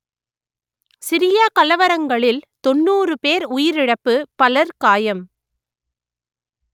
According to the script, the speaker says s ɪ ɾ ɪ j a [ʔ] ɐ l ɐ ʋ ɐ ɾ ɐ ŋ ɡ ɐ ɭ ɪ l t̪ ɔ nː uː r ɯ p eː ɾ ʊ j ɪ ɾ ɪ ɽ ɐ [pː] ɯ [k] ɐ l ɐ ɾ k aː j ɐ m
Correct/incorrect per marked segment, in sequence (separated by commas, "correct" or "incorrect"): incorrect, correct, incorrect